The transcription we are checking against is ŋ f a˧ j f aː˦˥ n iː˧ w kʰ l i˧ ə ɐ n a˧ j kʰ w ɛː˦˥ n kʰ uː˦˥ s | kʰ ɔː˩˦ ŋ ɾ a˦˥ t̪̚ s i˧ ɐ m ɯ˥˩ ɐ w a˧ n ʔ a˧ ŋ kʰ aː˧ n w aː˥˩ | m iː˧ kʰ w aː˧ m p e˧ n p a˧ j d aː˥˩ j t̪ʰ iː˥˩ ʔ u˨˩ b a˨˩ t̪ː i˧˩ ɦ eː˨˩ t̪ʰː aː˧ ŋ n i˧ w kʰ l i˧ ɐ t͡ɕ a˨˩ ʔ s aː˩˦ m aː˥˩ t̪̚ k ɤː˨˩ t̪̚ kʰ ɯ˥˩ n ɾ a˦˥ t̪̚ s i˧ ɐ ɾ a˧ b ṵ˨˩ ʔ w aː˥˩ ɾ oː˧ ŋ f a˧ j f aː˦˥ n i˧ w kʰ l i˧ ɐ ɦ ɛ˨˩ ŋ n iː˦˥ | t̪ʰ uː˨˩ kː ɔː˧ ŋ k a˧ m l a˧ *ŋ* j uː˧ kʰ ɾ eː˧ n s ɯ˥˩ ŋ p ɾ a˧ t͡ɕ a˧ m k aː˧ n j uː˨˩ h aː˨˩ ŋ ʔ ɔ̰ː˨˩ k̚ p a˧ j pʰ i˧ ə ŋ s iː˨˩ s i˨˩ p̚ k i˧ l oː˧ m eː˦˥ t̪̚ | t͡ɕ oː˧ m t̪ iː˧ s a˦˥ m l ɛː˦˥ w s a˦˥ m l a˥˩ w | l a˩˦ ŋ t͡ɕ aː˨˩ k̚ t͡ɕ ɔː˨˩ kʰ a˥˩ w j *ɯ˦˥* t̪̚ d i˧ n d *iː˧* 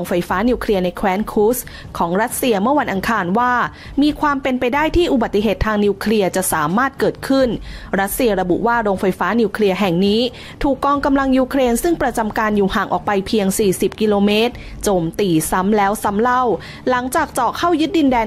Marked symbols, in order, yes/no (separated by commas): yes, yes, no